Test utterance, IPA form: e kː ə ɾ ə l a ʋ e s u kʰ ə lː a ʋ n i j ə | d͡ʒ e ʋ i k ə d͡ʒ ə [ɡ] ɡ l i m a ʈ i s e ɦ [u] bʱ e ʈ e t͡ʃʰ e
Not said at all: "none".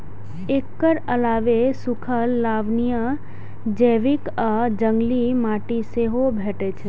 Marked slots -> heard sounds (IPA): ŋ, o

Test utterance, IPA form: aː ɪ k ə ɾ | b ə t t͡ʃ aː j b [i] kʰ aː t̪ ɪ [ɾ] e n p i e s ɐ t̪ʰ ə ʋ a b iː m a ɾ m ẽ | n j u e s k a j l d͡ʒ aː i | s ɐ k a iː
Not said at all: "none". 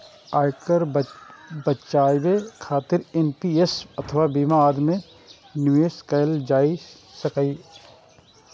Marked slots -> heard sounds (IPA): e, ɾ

